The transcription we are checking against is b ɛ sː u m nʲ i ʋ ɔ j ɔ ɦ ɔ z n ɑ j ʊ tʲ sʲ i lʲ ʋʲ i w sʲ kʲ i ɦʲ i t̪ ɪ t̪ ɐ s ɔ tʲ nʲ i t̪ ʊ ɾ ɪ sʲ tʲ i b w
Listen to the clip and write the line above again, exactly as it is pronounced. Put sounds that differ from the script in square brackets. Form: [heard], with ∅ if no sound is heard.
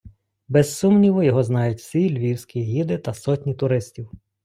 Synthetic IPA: b ɛ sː u m nʲ i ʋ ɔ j ɔ ɦ ɔ z n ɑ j ʊ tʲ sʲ i lʲ ʋʲ i w sʲ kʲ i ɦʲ i [d̪] ɪ t̪ ɐ s ɔ tʲ nʲ i t̪ ʊ ɾ ɪ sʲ tʲ i [∅] w